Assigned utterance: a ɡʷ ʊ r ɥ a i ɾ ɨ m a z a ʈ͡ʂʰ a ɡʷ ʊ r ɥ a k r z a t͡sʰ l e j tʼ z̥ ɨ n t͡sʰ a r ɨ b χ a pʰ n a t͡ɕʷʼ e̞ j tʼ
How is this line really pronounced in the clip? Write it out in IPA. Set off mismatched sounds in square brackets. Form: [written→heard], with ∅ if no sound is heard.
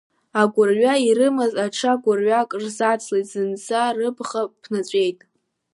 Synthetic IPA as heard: a ɡʷ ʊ r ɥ a i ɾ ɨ m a z a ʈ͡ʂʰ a ɡʷ ʊ r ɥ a [k→kʼ] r z a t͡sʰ l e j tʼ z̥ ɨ n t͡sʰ a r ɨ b χ a pʰ n a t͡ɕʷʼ e̞ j tʼ